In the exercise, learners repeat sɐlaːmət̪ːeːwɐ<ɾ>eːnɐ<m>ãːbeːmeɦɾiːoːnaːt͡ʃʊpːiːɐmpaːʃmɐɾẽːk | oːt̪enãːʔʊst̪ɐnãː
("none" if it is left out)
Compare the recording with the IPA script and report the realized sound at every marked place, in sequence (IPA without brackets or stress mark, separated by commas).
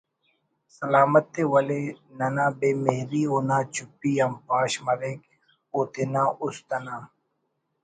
l, n